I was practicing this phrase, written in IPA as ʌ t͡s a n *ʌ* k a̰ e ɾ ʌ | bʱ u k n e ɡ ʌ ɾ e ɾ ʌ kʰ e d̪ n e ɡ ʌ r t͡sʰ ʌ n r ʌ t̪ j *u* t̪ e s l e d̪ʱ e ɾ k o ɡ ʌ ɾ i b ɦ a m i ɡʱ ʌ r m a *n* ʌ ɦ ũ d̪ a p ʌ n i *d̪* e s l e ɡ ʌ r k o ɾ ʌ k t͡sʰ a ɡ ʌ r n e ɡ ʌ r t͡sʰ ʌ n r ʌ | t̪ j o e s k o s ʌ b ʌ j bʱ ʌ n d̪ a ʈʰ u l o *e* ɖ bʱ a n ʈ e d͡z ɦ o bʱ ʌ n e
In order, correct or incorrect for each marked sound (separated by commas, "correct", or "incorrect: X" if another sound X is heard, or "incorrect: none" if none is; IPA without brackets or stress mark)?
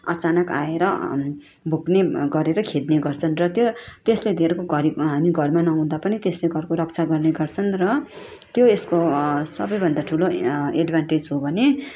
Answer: correct, incorrect: o, correct, incorrect: t̪, correct